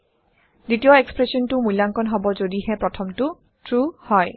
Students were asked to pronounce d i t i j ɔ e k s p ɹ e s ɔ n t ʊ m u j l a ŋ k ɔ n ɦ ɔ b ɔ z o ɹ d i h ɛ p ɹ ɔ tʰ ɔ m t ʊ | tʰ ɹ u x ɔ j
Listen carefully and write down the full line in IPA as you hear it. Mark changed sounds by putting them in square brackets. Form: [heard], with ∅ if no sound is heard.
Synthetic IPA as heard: d i t i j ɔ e k s p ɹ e s ɔ n t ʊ m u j l a ŋ k ɔ n ɦ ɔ b ɔ z o [∅] d i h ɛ p ɹ ɔ tʰ ɔ m t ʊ | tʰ ɹ u [h] ɔ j